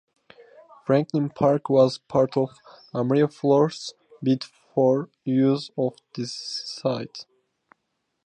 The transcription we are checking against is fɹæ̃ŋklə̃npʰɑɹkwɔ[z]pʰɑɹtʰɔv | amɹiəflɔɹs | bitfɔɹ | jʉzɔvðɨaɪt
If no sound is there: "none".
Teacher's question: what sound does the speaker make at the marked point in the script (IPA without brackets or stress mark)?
z